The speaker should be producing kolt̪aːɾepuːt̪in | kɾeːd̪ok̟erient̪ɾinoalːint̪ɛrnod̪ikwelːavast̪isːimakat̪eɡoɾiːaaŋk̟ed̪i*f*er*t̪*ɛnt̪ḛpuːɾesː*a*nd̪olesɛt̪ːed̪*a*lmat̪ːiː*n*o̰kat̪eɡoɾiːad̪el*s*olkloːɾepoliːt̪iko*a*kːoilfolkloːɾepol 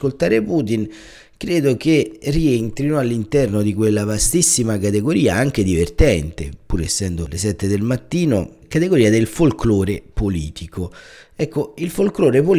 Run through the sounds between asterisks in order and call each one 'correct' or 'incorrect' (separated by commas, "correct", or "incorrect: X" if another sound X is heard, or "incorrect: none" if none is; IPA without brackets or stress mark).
incorrect: v, correct, incorrect: ɛ, incorrect: e, correct, incorrect: f, incorrect: ɛ